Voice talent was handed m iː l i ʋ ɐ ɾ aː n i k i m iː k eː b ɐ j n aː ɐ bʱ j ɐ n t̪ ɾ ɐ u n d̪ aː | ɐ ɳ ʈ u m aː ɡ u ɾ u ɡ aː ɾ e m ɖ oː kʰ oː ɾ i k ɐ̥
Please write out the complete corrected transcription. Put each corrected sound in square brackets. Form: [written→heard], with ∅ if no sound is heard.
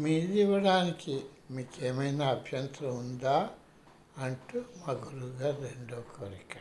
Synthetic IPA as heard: m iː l i ʋ ɐ [ɾ→ɽ] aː n i k i m iː k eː [b→m] ɐ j n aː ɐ bʱ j ɐ n t̪ ɾ ɐ u n d̪ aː | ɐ ɳ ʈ u m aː ɡ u ɾ u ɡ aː ɾ e [m→ɳ] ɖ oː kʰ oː ɾ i k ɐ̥